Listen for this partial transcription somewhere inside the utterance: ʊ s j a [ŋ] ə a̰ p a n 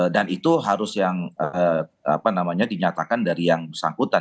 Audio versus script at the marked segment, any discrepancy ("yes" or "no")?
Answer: no